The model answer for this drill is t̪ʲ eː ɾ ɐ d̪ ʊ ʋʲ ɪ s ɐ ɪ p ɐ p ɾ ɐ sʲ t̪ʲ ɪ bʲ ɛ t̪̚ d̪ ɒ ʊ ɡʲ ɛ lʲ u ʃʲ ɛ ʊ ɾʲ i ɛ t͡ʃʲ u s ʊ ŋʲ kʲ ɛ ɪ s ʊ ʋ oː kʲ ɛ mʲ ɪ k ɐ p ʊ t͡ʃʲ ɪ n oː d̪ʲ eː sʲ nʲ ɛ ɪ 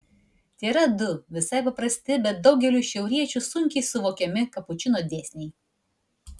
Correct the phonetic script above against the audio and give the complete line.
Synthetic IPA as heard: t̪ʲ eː ɾ ɐ d̪ ʊ ʋʲ ɪ s ɐ ɪ p ɐ p ɾ ɐ sʲ t̪ʲ ɪ bʲ ɛ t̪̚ d̪ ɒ ʊ ɡʲ ɛ lʲ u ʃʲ ɛ ʊ ɾʲ i ɛ t͡ʃʲ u s ʊ ŋʲ kʲ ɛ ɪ s ʊ ʋ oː kʲ ɛ mʲ ɪ k ɐ p ʊ t͡ʃʲ ɪ n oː d̪ʲ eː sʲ nʲ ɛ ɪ

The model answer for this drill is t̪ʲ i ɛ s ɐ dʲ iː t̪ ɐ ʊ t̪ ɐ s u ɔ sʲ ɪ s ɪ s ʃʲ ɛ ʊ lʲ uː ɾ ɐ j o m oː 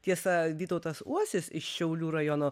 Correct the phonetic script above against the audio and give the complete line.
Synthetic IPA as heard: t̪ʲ i ɛ s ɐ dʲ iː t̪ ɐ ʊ t̪ ɐ s u ɔ sʲ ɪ s ɪ ʃ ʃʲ ɛ ʊ lʲ uː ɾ ɐ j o n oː

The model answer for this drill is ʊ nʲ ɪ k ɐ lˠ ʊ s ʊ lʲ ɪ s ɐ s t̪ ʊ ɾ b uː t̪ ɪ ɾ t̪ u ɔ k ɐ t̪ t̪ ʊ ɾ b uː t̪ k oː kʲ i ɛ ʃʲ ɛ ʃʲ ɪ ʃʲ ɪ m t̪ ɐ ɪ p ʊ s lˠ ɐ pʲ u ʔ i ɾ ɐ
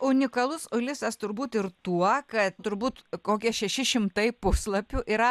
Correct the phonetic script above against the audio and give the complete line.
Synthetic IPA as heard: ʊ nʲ ɪ k ɐ lˠ ʊ s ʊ lʲ ɪ s ɐ s t̪ ʊ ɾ b uː t̪ ɪ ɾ t̪ u ɔ k ɐ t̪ t̪ ʊ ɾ b uː t̪ k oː kʲ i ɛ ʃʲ ɛ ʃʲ ɪ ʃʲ ɪ m t̪ ɐ ɪ p ʊ s lˠ ɐ pʲ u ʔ i ɾ ɐ

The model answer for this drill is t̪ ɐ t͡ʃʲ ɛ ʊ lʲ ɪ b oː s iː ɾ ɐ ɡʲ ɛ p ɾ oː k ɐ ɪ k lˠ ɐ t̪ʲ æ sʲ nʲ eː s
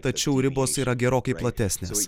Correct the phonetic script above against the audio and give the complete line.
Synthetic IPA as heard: t̪ ɐ t͡ʃʲ ɛ ʊ ɾʲ ɪ b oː s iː ɾ ɐ ɡʲ ɛ ɾ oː k ɐ ɪ p lˠ ɐ t̪ʲ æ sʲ nʲ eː s

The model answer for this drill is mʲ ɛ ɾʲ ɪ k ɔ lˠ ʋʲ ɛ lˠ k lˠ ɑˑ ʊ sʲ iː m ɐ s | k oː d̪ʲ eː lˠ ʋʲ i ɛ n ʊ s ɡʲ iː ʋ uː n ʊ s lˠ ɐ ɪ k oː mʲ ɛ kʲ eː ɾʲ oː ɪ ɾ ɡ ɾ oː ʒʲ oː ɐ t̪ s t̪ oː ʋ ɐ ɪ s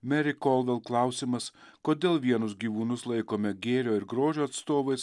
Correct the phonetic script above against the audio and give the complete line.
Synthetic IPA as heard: mʲ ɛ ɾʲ ɪ k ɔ lˠ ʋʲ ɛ lˠ k lˠ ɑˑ ʊ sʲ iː m ɐ s | k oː d̪ʲ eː lˠ ʋʲ i ɛ n ʊ s ɡʲ iː ʋ uː n ʊ s lˠ ɐ ɪ k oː mʲ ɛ ɡʲ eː ɾʲ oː ɪ ɾ ɡ ɾ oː ʒʲ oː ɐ t̪ s t̪ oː ʋ ɐ ɪ s

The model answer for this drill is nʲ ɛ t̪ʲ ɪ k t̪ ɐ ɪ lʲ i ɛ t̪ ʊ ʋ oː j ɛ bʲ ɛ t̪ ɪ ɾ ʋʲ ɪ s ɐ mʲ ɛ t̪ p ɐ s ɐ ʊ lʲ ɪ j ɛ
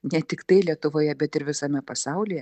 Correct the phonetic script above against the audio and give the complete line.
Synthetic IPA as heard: nʲ ɛ t̪ʲ ɪ k t̪ ɐ ɪ lʲ i ɛ t̪ ʊ ʋ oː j ɛ bʲ ɛ t̪ ɪ ɾ ʋʲ ɪ s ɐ mʲ ɛ p ɐ s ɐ ʊ lʲ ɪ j ɛ

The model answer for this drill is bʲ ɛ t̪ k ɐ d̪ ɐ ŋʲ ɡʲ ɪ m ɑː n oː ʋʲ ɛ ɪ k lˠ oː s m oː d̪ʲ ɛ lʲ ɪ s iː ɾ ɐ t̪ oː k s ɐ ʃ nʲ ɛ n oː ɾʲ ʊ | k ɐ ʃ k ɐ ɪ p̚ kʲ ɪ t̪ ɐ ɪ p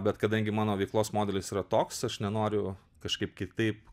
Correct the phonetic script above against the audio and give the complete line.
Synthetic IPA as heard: bʲ ɛ t̪ k ɐ d̪ ɐ ŋʲ ɡʲ ɪ m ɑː n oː ʋʲ ɛ ɪ k lˠ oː s m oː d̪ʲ ɛ lʲ ɪ s iː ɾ ɐ t̪ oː k s ɐ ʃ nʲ ɛ n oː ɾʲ ʊ | k ɐ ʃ k ɐ ɪ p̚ kʲ ɪ t̪ ɐ ɪ p

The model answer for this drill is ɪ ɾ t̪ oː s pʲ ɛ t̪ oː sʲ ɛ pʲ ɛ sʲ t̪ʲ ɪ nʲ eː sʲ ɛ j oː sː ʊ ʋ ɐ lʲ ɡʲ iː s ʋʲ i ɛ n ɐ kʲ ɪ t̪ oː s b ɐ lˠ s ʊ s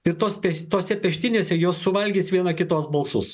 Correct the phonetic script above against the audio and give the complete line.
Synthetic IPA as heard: ɪ ɾ t̪ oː s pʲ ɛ t̪ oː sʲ ɛ pʲ ɛ ʃʲ t̪ʲ ɪ nʲ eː sʲ ɛ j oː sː ʊ ʋ ɐ lʲ ɡʲ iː s ʋʲ i ɛ n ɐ kʲ ɪ t̪ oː s b ɐ lˠ s ʊ s

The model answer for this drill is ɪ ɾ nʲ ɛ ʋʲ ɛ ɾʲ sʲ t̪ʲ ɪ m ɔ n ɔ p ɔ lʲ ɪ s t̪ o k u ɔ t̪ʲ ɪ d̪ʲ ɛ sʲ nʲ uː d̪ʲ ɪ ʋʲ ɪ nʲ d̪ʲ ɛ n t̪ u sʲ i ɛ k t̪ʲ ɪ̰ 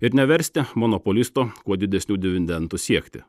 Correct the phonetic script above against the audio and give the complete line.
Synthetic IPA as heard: ɪ ɾ nʲ ɛ ʋʲ ɛ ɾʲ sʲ t̪ʲ ɪ m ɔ n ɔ p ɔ lʲ ɪ s t̪ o k u ɔ d̪ʲ ɪ d̪ʲ ɛ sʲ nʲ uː d̪ʲ ɪ ʋʲ ɪ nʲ d̪ʲ ɛ n t̪ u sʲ i ɛ k t̪ʲ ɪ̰

